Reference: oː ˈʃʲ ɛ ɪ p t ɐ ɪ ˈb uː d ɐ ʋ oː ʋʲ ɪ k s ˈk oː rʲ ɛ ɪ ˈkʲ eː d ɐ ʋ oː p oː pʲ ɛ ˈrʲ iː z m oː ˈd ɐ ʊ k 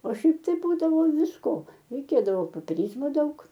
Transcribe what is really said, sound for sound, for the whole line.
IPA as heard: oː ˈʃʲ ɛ ɪ p t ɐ ɪ ˈb uː d ɐ ʋ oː ʋʲ ɪ s ˈk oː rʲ ɛ ɪ ˈkʲ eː d ɐ ʋ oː p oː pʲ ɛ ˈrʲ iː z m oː ˈd ɐ ʊ k

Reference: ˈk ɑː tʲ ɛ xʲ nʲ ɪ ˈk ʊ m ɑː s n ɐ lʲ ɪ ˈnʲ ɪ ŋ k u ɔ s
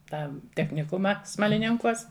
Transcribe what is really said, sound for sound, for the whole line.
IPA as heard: ˈt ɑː tʲ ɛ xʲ nʲ ɪ ˈk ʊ m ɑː s m ɐ lʲ ɪ ˈnʲ ɪ ŋ k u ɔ s

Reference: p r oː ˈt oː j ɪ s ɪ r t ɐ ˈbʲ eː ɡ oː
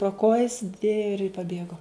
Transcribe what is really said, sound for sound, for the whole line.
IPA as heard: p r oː ˈk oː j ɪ s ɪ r p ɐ ˈbʲ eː ɡ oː

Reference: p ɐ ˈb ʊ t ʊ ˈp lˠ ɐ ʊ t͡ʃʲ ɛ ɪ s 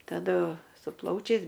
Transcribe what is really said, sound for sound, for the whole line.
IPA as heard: t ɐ ˈd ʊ s ʊ ˈp lˠ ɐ ʊ t͡ʃʲ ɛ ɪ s

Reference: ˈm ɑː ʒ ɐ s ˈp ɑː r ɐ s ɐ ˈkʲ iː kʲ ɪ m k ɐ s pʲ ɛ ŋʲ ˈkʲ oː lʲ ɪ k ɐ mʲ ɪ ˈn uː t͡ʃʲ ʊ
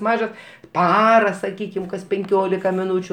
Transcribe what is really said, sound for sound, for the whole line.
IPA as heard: ˈm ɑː ʒ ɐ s ˈp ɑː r ɐ s ɐ ˈkʲ iː kʲ ɪ m k ɐ s pʲ ɛ ŋʲ ˈkʲ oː lʲ ɪ k ɐ mʲ ɪ ˈn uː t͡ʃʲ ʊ

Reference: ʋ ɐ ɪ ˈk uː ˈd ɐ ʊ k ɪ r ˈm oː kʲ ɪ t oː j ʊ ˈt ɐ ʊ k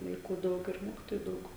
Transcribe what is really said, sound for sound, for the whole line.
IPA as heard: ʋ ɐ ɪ ˈk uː ˈd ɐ ʊ k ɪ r ˈm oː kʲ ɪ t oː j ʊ ˈd ɐ ʊ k

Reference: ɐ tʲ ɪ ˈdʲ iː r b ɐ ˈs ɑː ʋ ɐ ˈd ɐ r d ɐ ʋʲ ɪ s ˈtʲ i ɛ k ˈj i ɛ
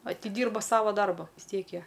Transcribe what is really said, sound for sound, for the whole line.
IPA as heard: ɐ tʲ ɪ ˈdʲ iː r b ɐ ˈs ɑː ʋ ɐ ˈd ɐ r b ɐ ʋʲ ɪ s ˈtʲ i ɛ k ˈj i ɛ

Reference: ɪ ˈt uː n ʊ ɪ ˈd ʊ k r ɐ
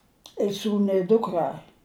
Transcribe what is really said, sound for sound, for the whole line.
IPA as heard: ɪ ˈs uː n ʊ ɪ ˈd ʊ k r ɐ

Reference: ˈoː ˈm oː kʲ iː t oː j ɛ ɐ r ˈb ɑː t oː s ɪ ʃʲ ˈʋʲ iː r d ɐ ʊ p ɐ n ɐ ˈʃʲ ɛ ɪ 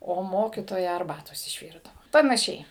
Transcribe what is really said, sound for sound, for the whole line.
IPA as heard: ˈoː ˈm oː kʲ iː t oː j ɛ ɐ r ˈb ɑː t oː s ɪ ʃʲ ˈʋʲ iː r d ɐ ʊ p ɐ n ɐ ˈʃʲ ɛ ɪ

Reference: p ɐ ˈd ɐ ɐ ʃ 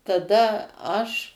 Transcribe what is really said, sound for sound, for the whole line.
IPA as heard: t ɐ ˈd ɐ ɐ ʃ

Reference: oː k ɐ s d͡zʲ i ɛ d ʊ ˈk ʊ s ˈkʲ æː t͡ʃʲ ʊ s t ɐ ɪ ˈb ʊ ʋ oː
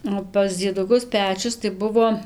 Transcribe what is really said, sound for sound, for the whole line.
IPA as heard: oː p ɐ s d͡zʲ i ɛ d ʊ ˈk ʊ s ˈpʲ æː t͡ʃʲ ʊ s t ɐ ɪ ˈb ʊ ʋ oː

